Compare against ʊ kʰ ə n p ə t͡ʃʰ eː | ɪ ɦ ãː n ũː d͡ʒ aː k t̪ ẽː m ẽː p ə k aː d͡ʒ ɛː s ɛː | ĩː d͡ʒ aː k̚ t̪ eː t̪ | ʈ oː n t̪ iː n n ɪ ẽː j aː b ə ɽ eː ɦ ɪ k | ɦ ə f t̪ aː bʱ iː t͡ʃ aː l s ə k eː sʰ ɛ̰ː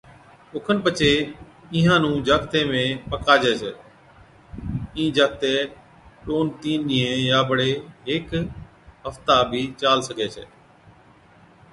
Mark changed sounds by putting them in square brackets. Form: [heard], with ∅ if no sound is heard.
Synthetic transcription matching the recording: ʊ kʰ ə n p ə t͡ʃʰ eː | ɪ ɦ ãː n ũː d͡ʒ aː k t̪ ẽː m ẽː p ə k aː d͡ʒ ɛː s ɛː | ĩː d͡ʒ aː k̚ t̪ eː [∅] | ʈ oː n t̪ iː n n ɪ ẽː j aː b ə ɽ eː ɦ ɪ k | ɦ ə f t̪ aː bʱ iː t͡ʃ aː l s ə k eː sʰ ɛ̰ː